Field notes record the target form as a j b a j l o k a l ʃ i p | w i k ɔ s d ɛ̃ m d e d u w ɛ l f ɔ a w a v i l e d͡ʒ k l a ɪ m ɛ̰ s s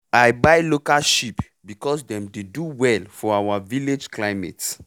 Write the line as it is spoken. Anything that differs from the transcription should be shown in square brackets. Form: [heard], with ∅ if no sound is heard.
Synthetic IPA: a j b a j l o k a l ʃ i p | [b] i k ɔ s d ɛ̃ m d e d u w ɛ l f ɔ a w a v i l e d͡ʒ k l a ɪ m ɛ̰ [t] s